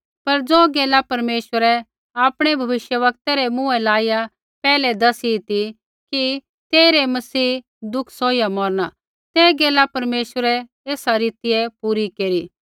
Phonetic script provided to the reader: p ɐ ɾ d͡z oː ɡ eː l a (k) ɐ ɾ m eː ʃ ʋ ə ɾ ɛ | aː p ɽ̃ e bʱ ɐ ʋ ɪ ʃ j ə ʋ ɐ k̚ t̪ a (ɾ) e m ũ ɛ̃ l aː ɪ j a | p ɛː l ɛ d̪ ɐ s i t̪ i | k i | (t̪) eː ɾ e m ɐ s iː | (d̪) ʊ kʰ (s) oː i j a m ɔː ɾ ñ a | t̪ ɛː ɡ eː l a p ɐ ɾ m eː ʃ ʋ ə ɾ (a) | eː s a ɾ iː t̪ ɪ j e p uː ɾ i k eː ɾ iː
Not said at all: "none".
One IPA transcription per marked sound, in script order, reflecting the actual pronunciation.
p, ɾ, t̪, d̪, s, ɛ

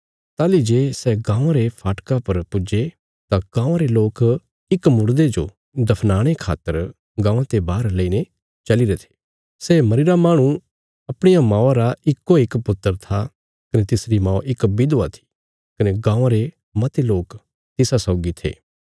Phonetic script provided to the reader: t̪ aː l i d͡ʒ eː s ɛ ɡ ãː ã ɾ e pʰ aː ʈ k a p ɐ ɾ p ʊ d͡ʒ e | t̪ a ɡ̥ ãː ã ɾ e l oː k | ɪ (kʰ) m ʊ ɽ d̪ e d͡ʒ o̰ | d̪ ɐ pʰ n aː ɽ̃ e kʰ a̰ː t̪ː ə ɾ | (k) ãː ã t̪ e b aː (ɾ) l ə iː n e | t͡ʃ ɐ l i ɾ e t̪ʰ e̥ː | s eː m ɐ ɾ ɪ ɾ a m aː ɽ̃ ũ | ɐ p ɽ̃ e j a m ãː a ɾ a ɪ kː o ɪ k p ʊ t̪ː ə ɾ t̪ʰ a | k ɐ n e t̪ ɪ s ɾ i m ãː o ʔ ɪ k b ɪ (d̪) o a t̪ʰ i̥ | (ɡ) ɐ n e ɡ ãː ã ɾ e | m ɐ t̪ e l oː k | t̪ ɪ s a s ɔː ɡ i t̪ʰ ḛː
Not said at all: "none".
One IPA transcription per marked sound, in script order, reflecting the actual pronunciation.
k, ɡ, ɾ, d̪, k

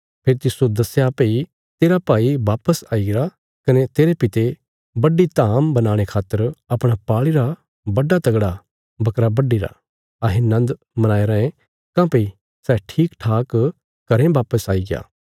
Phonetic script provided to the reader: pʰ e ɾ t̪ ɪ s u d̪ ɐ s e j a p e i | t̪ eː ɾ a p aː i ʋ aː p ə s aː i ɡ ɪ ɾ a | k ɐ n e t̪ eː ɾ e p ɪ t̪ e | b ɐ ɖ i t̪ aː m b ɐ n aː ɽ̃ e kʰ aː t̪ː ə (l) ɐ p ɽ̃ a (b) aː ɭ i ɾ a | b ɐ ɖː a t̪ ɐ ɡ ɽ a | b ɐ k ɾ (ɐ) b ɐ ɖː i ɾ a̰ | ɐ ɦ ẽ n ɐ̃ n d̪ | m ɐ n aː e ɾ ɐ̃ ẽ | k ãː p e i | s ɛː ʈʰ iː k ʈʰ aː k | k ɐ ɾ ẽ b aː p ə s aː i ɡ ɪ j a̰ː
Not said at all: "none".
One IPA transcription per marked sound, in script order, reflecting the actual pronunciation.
ɾ, p, a

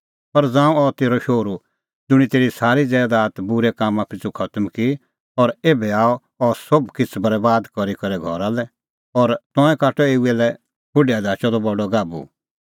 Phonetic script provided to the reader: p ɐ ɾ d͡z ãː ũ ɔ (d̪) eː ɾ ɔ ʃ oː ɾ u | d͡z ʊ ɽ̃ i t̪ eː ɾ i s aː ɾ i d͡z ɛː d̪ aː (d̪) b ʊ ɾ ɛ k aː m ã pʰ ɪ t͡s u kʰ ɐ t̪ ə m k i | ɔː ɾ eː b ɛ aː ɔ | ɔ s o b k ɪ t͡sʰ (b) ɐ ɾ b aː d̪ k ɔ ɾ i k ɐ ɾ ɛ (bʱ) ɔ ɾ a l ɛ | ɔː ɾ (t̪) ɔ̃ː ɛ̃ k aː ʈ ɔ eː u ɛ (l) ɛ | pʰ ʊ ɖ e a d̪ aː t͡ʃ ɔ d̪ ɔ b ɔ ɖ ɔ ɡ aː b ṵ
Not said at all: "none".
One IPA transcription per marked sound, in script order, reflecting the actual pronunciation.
t̪, t̪, b, ɡʱ, t̪, l

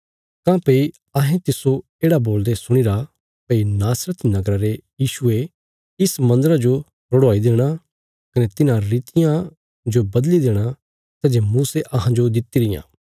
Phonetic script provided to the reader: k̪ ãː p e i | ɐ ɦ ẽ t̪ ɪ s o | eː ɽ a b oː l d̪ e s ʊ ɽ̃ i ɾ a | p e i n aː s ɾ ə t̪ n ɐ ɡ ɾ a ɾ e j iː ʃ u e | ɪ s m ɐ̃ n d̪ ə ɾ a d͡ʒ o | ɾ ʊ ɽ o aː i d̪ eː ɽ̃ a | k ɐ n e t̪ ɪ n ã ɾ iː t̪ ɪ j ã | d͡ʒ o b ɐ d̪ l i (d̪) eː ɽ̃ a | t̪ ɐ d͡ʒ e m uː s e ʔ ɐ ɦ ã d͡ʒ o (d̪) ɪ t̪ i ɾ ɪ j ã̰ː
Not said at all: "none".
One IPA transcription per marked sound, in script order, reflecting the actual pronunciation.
d̪, d̪

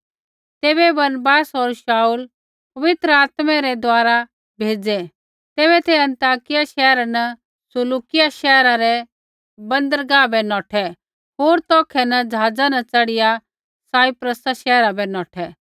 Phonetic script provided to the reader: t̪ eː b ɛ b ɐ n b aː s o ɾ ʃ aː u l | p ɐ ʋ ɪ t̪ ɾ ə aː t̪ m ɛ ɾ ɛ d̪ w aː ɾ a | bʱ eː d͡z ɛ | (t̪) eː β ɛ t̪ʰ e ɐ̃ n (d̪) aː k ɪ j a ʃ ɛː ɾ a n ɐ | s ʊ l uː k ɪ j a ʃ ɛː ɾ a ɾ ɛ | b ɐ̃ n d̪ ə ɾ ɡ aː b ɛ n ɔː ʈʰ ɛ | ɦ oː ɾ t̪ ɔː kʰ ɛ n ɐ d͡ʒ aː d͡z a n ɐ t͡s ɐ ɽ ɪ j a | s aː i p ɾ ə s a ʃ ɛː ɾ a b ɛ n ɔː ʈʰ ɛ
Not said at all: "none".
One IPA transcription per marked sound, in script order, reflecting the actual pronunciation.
t̪, t̪

